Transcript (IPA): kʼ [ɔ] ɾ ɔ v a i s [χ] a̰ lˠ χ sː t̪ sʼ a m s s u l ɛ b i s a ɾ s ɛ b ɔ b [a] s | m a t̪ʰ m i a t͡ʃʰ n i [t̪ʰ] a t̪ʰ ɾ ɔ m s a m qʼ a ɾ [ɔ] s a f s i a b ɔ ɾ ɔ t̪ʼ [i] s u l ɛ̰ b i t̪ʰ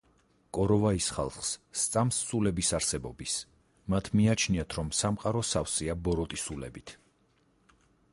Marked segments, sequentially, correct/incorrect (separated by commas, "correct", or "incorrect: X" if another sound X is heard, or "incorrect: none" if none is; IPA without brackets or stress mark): correct, correct, incorrect: i, incorrect: none, correct, correct